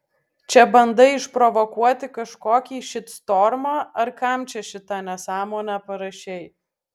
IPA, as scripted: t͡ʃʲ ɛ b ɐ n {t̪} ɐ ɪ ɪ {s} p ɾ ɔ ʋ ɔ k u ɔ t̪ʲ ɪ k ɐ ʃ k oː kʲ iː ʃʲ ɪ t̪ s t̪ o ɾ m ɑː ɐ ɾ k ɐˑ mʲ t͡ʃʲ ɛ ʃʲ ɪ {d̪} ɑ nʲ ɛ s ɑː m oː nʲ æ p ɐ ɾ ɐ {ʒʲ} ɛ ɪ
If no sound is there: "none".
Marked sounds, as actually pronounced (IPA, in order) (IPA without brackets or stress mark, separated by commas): d̪, ʃ, t̪, ʃʲ